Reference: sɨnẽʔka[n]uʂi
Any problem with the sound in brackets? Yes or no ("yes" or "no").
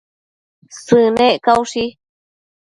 yes